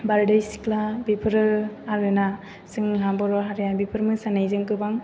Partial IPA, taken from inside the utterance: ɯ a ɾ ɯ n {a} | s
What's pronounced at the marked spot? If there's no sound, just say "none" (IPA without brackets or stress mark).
a